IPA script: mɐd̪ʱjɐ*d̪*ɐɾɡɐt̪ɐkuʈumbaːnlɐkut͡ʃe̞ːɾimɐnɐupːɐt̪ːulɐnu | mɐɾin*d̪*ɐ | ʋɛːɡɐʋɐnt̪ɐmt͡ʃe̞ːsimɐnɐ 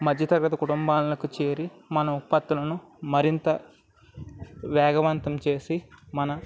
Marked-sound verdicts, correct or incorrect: incorrect: t̪, incorrect: t̪

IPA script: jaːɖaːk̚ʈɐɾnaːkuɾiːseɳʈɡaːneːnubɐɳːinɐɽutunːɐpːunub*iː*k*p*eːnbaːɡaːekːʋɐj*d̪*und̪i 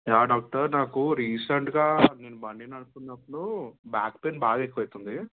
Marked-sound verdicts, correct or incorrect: incorrect: aː, correct, incorrect: t̪

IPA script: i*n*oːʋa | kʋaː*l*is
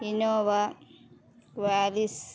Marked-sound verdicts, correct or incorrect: correct, correct

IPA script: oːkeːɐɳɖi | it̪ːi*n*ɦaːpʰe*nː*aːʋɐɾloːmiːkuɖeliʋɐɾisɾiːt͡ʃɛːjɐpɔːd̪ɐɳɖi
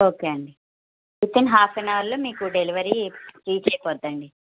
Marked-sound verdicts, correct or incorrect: correct, incorrect: n

